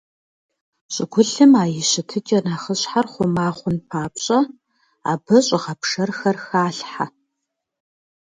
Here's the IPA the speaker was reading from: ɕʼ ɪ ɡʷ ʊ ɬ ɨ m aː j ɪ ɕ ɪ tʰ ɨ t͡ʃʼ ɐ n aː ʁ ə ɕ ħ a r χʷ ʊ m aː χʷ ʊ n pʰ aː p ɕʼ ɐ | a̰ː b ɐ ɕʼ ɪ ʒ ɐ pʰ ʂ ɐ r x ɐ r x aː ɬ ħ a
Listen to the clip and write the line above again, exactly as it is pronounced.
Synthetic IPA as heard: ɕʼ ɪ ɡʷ ʊ ɬ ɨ m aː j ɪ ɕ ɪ tʰ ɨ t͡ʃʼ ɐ n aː χ ə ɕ ħ a r χʷ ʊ m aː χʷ ʊ n pʰ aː p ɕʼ ɐ | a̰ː b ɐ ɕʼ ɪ ʁ ɐ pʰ ʂ ɐ r x ɐ r x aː ɬ ħ a